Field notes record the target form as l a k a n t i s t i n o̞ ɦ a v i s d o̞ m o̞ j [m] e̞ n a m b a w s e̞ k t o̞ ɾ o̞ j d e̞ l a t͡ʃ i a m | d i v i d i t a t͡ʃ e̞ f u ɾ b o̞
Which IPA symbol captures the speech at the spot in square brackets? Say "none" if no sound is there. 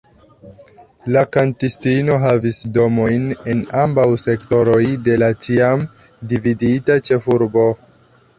n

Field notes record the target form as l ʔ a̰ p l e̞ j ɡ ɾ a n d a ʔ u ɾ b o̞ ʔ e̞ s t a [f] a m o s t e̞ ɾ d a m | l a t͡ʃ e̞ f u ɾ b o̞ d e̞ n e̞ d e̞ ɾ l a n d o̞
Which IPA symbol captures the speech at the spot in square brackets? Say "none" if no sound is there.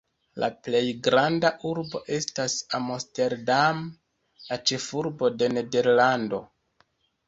s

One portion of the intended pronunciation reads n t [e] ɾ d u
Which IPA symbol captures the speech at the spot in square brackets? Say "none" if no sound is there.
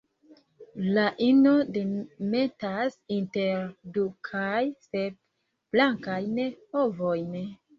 e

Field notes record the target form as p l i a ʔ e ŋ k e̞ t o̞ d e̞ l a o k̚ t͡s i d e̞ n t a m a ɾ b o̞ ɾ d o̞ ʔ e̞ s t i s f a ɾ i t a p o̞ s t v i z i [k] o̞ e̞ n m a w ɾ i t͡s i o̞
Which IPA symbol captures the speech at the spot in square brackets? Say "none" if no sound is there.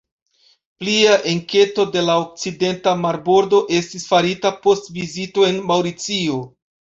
t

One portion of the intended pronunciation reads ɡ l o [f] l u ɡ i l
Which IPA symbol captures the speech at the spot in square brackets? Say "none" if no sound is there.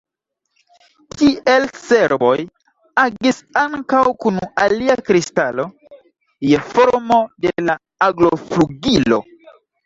f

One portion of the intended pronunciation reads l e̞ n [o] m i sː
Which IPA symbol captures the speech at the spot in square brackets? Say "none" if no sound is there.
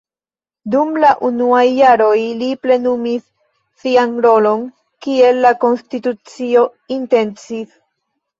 u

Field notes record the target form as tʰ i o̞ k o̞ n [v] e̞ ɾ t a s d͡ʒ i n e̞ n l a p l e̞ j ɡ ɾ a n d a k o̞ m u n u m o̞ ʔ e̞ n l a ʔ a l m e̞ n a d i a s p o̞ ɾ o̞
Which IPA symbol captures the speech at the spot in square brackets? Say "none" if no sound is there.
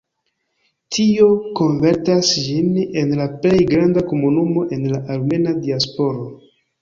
v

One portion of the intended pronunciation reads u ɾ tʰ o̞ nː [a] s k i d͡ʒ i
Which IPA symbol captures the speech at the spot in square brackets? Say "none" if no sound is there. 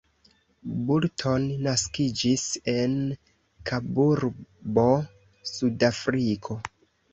a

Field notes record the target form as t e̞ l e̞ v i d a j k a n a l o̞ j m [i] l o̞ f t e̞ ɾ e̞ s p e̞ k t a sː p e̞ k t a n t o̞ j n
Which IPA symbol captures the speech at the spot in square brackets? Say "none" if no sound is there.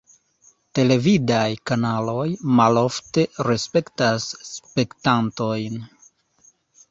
a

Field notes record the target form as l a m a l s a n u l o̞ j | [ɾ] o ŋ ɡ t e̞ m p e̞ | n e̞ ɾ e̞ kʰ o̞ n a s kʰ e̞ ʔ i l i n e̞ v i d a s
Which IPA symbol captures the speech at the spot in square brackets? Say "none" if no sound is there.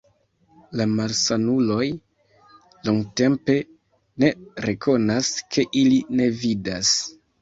l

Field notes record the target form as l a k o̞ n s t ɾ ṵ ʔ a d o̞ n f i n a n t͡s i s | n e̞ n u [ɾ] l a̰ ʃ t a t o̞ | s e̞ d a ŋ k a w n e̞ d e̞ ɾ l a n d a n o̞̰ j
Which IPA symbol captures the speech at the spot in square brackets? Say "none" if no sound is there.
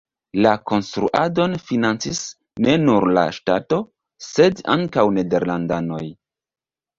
ɾ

